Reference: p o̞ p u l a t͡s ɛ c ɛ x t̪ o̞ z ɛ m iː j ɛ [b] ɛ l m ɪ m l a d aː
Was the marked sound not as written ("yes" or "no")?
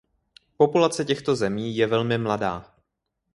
yes